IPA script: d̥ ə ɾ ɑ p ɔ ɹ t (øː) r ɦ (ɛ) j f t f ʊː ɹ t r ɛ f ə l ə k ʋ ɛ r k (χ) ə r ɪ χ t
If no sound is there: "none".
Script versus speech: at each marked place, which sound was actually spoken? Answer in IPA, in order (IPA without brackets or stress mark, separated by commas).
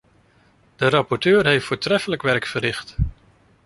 øː, e, f